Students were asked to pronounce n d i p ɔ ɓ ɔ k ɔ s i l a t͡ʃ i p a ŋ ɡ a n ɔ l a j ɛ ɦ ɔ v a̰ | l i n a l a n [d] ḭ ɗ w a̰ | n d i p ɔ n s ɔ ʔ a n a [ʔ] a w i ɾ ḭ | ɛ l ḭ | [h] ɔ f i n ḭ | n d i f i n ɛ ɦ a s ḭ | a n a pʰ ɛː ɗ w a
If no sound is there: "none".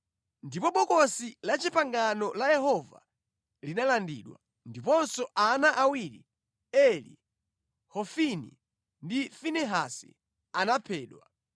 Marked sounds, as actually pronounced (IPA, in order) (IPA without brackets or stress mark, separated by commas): d, ʔ, h